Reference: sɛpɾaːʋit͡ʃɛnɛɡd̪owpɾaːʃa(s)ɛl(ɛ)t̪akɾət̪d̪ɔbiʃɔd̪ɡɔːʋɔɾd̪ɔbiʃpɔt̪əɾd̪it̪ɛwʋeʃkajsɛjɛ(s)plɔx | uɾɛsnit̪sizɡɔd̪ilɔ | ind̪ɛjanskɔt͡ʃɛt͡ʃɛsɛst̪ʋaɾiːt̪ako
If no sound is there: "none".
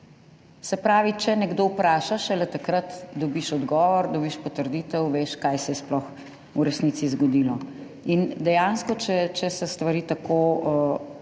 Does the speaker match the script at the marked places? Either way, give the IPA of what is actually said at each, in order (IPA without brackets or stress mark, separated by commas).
ʃ, ɛ, s